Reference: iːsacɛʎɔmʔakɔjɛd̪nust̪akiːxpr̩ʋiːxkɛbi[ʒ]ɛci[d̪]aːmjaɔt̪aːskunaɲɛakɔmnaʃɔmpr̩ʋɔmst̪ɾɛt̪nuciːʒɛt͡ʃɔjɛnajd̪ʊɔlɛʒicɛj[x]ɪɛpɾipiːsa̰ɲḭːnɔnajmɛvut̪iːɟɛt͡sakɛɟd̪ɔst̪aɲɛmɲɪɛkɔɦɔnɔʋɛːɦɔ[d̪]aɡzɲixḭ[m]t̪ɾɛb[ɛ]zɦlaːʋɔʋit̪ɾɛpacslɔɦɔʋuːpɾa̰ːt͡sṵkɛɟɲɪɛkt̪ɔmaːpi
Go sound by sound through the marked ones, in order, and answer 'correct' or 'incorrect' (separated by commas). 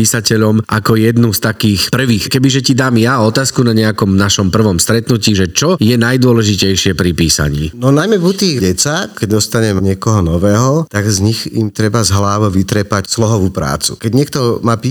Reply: correct, correct, incorrect, incorrect, correct, incorrect